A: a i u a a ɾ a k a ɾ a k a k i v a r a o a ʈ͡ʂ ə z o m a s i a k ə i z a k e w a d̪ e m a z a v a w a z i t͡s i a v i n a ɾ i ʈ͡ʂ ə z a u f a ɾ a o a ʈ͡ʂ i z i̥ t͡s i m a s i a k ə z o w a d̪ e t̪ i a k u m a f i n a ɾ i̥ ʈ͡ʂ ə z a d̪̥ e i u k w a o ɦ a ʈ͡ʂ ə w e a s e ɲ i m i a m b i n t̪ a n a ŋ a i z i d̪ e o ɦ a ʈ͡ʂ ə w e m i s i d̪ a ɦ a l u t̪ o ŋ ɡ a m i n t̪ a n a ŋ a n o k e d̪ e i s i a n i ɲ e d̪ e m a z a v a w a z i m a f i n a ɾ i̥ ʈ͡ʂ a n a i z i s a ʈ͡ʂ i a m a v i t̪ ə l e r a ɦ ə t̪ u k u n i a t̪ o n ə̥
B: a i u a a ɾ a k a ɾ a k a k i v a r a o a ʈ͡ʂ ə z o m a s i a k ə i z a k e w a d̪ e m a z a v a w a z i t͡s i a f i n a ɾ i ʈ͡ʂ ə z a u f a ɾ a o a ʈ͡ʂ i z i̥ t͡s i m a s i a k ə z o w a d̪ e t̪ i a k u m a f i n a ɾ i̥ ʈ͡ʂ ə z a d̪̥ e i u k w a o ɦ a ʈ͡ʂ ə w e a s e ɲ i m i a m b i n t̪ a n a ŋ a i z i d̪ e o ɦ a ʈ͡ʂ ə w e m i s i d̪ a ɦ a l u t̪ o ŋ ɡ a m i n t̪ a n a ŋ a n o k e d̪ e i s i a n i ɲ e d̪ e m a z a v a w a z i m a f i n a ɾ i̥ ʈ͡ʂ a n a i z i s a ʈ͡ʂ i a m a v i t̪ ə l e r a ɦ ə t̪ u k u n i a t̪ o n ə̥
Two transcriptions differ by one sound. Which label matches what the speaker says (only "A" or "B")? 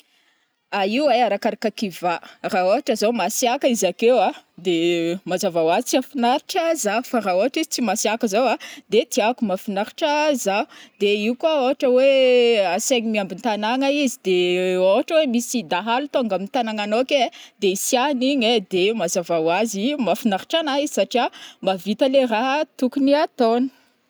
B